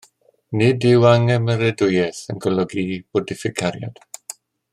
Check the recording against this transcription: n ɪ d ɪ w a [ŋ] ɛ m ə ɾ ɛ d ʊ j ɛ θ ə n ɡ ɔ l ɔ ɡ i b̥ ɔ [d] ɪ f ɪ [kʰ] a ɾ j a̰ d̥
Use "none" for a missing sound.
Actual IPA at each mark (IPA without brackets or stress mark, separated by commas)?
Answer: ŋ, d, kʰ